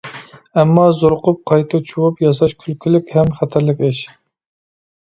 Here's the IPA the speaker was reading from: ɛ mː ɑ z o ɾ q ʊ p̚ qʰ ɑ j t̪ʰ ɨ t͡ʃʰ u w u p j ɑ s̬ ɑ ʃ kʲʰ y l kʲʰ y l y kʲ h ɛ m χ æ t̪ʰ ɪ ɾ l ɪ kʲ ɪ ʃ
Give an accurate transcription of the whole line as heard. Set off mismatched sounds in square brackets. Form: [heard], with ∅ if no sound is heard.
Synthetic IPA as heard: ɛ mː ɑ z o ɾ q ʊ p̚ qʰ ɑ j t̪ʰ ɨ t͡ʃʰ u w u p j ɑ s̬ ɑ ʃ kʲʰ y l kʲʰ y l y kʲ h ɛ m χ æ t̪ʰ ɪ ɾ l ɪ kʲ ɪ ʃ